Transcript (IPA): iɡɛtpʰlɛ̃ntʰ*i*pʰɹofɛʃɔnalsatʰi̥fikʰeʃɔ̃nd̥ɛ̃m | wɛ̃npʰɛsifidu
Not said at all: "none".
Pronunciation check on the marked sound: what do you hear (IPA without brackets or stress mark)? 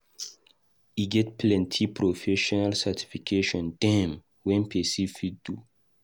i